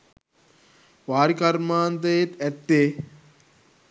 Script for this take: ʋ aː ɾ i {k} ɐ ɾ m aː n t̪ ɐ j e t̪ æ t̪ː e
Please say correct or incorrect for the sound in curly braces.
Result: correct